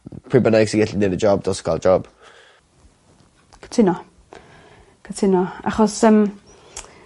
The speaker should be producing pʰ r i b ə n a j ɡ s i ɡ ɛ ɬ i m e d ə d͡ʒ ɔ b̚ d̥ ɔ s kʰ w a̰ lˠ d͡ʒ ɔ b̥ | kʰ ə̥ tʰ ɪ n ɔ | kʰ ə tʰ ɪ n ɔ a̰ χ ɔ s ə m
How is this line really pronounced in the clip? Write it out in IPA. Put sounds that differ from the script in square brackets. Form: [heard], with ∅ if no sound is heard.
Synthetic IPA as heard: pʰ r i b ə n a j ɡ s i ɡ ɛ ɬ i [n] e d ə d͡ʒ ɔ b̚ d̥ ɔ s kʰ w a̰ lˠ d͡ʒ ɔ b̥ | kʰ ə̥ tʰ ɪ n ɔ | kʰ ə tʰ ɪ n ɔ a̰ χ ɔ s ə m